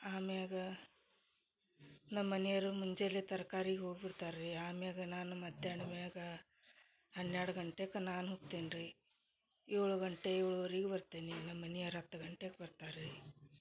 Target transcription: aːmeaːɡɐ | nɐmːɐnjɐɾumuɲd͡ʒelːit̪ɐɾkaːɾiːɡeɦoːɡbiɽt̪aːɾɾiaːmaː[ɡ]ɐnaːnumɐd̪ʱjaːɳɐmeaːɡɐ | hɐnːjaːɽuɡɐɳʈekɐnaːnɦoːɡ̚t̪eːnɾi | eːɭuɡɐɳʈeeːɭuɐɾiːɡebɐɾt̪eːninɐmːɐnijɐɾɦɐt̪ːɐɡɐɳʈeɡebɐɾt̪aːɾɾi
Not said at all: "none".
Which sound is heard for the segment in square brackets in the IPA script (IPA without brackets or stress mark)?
ɡ